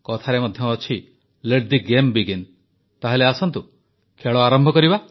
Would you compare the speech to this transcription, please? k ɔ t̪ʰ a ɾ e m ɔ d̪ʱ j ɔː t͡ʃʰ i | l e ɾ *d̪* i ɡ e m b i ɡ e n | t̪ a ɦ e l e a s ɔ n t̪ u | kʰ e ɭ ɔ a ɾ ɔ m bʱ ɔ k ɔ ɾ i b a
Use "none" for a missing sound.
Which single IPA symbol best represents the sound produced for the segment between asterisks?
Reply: d̪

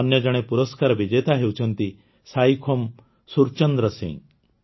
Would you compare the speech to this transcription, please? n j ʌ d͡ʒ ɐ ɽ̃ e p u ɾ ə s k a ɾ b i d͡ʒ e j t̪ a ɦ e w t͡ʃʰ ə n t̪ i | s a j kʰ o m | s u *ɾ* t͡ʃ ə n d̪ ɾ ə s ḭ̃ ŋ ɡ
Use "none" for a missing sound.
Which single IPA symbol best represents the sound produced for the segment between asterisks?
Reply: ɾ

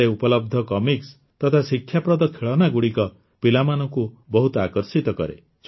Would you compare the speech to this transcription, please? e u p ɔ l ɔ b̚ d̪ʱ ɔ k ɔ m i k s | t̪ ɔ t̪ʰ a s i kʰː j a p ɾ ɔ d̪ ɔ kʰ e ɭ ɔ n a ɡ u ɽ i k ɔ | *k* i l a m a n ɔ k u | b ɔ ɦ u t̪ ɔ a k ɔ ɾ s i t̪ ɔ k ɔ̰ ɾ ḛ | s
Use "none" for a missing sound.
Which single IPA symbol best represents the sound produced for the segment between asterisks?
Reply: p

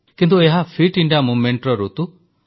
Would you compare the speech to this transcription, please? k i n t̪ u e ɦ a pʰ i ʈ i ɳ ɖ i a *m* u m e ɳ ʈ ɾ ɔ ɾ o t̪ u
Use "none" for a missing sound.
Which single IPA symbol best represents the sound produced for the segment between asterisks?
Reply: m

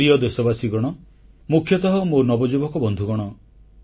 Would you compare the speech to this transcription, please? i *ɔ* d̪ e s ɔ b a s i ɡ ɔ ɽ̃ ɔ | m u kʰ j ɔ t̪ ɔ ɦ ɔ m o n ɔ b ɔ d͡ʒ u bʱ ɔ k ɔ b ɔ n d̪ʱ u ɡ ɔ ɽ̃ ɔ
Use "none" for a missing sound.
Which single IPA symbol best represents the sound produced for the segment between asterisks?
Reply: ɔ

